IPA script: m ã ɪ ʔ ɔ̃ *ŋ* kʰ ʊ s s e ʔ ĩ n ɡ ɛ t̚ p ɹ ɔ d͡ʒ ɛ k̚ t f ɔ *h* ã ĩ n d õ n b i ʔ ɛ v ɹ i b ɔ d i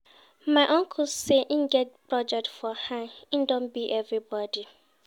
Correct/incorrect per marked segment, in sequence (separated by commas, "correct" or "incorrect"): correct, correct